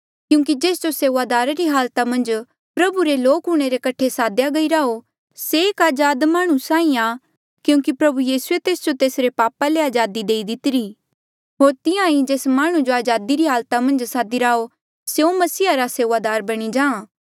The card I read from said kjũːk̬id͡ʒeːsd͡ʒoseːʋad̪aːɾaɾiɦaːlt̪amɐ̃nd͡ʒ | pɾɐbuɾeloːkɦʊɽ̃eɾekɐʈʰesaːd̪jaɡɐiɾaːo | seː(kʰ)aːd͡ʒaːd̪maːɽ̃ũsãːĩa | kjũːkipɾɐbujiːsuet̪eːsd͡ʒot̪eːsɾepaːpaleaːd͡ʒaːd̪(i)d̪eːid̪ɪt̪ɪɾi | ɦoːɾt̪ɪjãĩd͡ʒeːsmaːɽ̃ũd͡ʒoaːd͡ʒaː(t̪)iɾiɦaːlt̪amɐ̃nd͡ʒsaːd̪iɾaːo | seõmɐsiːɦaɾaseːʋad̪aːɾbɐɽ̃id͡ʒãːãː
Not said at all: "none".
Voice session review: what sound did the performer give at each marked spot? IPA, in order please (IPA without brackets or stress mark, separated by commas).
k, i, d̪